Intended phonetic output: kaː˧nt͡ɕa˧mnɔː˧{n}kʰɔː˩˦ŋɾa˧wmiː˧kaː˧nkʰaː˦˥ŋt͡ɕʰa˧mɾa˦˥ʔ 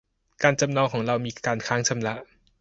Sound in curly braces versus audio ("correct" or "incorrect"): incorrect